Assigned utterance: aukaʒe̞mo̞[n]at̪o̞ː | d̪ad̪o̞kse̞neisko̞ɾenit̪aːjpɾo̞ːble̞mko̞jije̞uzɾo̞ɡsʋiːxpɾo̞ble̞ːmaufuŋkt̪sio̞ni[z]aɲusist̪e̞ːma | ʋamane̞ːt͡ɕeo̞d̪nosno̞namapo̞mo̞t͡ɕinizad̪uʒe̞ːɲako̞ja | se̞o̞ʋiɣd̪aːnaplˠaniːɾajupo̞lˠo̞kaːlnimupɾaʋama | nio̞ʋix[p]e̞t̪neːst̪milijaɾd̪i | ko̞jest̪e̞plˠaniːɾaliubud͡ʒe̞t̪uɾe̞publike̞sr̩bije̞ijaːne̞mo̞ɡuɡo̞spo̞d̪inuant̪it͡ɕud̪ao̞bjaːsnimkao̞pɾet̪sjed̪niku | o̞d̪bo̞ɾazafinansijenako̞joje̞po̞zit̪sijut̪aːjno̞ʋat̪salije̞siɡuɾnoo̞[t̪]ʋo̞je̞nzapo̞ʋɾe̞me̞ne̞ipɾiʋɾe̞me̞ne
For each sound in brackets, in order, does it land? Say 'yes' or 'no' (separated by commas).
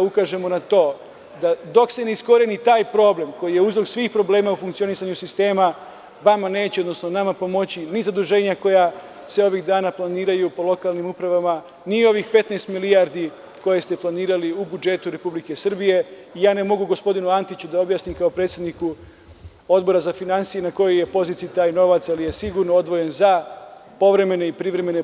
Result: yes, no, yes, no